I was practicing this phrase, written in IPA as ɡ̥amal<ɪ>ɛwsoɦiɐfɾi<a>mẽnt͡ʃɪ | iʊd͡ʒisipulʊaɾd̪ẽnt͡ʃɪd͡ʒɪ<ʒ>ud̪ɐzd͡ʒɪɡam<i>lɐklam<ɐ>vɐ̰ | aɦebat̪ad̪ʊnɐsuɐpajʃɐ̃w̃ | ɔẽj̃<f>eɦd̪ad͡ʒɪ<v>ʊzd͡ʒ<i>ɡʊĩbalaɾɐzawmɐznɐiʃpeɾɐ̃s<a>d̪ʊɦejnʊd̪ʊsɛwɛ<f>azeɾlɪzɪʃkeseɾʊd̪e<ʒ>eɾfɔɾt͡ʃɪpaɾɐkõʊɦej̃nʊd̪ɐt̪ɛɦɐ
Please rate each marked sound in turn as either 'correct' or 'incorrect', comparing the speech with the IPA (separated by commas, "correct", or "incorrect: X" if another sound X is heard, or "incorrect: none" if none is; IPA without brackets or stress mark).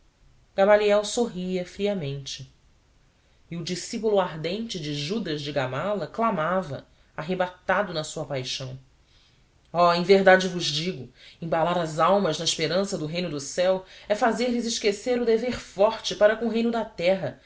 incorrect: i, incorrect: ɐ, correct, incorrect: a, incorrect: a, incorrect: v, correct, correct, incorrect: ɐ, correct, incorrect: v